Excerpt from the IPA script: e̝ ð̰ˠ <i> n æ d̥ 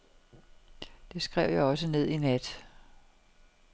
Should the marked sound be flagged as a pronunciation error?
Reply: no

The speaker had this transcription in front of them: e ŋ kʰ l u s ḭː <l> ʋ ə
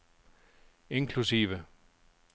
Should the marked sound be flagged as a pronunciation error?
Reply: yes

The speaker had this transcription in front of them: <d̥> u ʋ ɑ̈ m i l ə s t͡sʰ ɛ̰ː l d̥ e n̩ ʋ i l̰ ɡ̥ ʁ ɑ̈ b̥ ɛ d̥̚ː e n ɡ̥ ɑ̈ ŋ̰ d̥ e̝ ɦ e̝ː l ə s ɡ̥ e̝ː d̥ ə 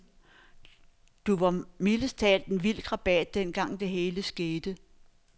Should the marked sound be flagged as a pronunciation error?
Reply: no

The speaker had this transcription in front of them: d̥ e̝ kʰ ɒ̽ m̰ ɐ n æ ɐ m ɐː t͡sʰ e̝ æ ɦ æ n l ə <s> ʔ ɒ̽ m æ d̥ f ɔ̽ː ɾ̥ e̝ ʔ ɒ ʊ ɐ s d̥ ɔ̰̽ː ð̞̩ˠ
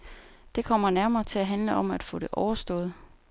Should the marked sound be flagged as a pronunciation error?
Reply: yes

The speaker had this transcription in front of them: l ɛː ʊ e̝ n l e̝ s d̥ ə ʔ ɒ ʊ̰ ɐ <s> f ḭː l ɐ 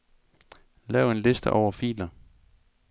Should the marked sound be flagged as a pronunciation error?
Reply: yes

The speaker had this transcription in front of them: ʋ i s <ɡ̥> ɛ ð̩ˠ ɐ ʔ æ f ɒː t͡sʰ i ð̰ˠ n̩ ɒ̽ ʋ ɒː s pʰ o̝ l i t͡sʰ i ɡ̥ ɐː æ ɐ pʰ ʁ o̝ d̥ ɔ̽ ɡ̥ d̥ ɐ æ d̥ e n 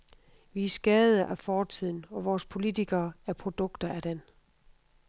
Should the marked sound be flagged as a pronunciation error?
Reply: no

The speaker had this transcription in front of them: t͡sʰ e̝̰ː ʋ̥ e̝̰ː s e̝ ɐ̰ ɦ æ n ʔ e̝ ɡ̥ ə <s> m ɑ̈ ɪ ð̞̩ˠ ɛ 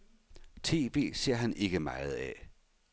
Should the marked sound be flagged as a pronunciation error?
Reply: yes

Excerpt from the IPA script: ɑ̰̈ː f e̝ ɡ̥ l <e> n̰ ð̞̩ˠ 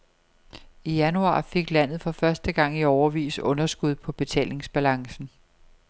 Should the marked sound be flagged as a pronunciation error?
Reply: yes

